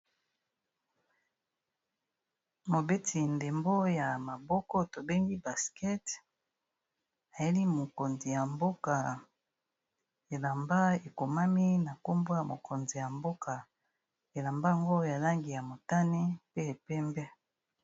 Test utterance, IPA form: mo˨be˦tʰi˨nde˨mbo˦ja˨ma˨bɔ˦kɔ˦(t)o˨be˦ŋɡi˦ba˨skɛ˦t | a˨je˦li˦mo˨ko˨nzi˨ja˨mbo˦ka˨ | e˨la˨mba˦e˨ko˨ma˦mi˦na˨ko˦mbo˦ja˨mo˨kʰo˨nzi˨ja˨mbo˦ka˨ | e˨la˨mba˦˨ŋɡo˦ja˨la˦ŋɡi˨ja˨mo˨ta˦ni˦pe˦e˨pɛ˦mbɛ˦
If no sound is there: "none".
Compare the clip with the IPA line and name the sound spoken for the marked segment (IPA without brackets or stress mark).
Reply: t